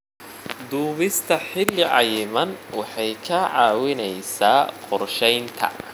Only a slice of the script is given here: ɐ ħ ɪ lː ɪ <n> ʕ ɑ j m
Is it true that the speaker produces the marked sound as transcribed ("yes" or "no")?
no